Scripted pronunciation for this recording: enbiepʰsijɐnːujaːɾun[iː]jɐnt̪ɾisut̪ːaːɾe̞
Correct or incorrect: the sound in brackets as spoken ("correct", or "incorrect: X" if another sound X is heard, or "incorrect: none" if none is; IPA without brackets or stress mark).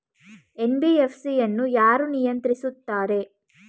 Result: incorrect: i